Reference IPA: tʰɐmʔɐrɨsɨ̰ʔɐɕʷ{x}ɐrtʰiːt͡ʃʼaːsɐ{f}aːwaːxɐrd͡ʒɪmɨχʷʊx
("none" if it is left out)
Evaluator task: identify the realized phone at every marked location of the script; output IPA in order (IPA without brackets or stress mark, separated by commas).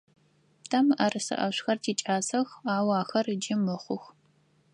x, x